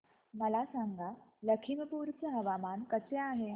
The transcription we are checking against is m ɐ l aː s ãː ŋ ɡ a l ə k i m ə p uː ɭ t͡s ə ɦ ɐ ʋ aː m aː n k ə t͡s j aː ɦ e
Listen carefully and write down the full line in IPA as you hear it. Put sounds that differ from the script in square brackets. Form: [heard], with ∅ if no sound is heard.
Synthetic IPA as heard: m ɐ l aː s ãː ŋ ɡ a l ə [kʰ] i m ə p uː [ɾ] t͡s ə ɦ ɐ ʋ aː m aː n k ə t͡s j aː ɦ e